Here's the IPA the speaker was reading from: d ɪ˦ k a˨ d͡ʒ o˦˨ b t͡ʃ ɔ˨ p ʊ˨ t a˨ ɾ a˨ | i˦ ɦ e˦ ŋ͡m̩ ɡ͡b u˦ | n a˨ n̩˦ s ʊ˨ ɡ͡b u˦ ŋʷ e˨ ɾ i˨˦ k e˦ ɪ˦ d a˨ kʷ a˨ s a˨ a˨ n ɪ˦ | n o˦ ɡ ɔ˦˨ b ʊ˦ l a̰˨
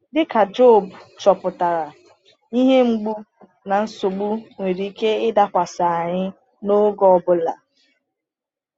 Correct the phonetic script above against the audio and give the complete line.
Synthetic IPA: d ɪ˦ k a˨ d͡ʒ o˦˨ b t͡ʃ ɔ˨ p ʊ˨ t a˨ ɾ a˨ | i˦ ɦ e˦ ŋ͡m̩ ɡ͡b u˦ | n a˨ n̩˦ s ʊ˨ ɡ͡b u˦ ŋʷ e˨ ɾ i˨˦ k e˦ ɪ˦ d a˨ kʷ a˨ s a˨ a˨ ɲ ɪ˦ | n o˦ ɡ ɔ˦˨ b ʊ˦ l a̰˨

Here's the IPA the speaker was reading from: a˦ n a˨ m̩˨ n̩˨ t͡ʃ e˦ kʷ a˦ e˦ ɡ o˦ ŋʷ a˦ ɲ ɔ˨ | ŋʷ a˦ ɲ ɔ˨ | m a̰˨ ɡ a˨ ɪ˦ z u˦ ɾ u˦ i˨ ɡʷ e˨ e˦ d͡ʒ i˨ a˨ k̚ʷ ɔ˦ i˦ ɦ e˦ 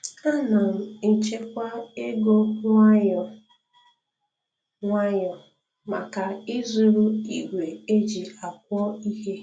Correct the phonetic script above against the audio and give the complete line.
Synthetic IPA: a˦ n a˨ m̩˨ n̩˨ t͡ʃ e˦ kʷ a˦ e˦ ɡ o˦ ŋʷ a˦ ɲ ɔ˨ | ŋʷ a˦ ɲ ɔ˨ | m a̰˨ k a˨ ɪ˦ z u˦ ɾ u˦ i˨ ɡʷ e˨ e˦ d͡ʒ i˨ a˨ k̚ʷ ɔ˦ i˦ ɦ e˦

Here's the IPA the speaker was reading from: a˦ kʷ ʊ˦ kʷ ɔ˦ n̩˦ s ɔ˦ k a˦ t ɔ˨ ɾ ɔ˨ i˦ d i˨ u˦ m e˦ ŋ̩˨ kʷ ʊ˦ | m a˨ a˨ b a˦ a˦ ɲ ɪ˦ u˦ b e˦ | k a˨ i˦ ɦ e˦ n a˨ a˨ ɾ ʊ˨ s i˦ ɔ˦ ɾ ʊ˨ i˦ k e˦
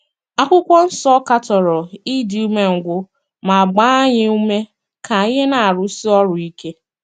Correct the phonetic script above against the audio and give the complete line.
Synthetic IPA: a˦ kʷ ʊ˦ kʷ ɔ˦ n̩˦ s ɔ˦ k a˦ t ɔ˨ ɾ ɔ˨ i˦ d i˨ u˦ m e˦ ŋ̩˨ ɡʷ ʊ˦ | m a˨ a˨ ɡ͡b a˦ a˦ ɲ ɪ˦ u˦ m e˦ | k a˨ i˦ ɦ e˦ n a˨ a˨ ɾ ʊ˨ s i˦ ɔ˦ ɾ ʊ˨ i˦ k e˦

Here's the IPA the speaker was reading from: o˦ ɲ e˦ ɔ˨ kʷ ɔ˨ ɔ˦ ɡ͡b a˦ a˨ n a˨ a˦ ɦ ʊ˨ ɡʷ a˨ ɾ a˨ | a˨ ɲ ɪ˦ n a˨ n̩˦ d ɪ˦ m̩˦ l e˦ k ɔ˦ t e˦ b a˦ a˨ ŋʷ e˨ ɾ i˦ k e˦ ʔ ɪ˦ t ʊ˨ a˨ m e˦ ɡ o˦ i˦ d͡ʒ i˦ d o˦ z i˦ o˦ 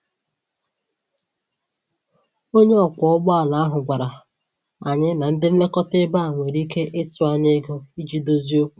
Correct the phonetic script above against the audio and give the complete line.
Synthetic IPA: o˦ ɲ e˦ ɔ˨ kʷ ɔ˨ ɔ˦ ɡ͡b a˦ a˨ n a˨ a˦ ɦ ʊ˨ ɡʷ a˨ ɾ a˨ | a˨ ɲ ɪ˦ n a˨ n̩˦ d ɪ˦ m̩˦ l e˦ k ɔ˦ t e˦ b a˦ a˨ ŋʷ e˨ ɾ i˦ k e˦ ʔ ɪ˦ t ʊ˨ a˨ ɲ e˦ ɡ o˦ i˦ d͡ʒ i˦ d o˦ z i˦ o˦

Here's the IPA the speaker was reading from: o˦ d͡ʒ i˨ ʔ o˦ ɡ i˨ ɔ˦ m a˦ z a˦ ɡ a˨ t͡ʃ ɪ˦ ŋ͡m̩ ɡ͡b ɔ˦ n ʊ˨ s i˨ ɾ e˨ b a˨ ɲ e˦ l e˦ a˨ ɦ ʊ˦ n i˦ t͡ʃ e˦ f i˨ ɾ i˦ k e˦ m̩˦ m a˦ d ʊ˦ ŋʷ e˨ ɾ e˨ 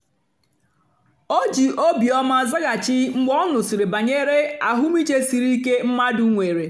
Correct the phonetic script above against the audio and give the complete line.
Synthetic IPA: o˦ d͡ʒ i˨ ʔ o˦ b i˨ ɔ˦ m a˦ z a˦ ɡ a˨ t͡ʃ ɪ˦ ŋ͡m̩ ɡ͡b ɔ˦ n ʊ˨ s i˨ ɾ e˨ b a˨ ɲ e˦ ɾ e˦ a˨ ɦ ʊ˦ m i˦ t͡ʃ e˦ s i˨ ɾ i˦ k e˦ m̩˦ m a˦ d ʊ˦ ŋʷ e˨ ɾ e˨

